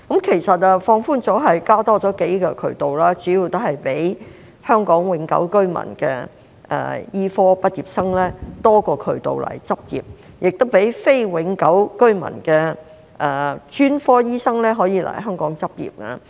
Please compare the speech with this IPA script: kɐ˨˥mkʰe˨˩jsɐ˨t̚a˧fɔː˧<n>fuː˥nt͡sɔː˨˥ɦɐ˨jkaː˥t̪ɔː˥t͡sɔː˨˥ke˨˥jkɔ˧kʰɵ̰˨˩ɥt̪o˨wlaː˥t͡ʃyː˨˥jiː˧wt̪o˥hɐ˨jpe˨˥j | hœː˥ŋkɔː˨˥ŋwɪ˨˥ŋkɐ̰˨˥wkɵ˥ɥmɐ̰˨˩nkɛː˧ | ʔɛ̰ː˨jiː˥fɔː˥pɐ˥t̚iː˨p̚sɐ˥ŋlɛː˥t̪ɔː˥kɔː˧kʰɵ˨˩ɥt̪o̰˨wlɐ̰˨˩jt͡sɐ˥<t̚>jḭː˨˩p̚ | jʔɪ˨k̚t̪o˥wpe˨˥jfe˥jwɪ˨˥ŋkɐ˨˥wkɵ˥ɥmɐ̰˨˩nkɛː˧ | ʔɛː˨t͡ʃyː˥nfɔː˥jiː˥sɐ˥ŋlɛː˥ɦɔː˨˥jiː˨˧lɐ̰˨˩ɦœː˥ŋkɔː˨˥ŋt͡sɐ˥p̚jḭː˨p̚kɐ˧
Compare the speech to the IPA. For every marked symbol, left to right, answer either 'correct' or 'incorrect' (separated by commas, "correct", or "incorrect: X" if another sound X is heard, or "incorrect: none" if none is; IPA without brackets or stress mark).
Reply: incorrect: ŋ, incorrect: p̚